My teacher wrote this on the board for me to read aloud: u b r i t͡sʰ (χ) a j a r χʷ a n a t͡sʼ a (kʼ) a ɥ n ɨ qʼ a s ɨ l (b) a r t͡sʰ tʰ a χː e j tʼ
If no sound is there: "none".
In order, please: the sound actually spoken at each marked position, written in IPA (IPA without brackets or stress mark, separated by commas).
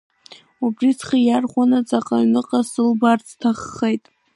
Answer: χ, qʼ, b